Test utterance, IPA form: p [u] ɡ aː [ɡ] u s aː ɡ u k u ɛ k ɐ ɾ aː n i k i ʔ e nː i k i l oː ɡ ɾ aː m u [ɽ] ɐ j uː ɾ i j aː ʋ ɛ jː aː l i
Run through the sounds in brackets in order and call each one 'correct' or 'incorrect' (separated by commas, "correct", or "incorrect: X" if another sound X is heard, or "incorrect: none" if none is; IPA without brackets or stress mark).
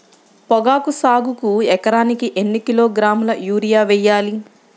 incorrect: ɔ, incorrect: k, incorrect: l